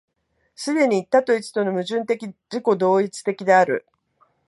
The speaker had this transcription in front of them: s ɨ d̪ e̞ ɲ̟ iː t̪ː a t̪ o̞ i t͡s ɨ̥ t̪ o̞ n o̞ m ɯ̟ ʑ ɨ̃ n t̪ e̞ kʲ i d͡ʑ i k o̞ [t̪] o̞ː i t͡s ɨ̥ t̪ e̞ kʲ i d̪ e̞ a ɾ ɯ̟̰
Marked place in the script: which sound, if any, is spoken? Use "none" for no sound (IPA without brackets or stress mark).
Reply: d̪